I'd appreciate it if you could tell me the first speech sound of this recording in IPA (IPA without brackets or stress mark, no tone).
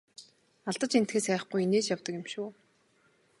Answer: a